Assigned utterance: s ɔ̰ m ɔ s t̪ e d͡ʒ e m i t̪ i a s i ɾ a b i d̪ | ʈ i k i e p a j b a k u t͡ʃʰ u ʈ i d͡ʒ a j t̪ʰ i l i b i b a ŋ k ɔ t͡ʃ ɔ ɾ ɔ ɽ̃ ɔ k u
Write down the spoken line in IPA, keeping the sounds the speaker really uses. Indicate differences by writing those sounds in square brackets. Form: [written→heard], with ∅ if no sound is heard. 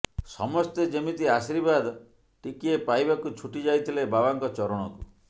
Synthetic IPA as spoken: s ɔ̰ m ɔ s t̪ e d͡ʒ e m i t̪ i a s i ɾ [a→i] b [i→a] d̪ | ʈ i k i e p a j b a k u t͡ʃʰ u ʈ i d͡ʒ a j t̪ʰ i l [i→e] b [i→a] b a ŋ k ɔ t͡ʃ ɔ ɾ ɔ ɽ̃ ɔ k u